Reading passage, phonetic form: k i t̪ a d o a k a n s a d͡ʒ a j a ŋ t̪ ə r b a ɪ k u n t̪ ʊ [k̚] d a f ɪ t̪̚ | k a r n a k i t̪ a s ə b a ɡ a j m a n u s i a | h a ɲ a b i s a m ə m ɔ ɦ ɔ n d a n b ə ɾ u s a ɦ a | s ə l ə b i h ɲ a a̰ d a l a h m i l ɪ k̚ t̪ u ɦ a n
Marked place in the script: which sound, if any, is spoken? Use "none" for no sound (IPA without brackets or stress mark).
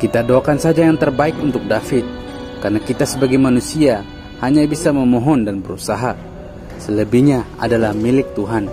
k̚